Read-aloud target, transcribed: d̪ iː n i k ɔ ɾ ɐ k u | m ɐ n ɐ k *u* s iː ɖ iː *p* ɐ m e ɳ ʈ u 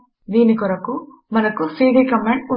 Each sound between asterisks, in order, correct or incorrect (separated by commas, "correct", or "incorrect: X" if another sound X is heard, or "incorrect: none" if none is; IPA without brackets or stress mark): correct, incorrect: k